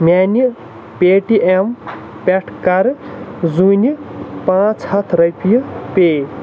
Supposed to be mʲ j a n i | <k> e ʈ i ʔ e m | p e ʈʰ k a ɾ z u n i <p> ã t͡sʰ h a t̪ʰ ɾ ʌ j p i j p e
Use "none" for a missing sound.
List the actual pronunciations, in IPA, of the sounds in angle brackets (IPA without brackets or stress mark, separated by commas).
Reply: p, p